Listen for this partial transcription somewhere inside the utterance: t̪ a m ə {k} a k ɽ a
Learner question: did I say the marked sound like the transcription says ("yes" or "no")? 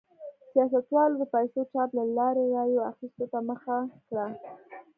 no